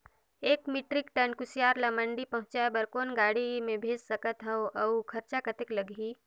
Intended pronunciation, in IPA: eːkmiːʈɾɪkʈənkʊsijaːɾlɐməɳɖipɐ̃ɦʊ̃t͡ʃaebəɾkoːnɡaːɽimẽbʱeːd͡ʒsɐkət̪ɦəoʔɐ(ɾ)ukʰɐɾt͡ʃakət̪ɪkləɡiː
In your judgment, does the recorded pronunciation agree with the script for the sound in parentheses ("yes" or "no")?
no